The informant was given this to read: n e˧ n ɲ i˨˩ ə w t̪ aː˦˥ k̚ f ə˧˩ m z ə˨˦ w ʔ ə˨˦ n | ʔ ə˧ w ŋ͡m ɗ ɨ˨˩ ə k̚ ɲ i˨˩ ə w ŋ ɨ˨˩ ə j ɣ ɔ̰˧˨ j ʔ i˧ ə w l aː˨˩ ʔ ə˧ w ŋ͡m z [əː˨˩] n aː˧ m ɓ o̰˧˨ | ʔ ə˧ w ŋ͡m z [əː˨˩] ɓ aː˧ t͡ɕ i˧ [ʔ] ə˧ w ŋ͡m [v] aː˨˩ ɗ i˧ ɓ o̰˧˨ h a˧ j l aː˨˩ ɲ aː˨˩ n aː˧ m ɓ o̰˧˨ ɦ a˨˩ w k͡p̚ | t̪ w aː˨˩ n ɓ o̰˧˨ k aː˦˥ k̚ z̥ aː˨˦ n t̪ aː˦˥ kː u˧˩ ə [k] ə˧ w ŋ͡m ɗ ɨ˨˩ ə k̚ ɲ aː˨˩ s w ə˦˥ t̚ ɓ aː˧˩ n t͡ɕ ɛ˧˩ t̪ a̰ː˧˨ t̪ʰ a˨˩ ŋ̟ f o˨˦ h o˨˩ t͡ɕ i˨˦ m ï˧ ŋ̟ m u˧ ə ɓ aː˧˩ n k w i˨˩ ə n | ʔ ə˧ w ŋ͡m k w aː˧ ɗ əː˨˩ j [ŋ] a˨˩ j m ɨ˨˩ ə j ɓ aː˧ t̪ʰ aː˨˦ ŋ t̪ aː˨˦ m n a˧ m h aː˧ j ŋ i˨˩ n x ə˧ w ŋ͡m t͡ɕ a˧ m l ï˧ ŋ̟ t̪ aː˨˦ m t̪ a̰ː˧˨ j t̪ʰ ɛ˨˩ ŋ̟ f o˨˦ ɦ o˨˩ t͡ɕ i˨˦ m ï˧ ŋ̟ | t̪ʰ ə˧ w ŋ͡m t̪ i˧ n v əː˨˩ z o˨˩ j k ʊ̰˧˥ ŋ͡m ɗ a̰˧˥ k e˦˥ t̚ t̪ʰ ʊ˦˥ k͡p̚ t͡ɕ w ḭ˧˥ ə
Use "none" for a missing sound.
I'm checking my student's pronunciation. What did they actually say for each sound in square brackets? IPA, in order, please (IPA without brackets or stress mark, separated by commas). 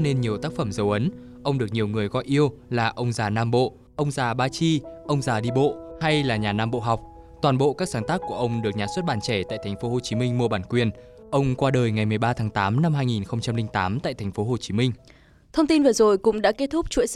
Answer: aː˨˩, aː˨˩, ʔ, z, ʔ, ŋ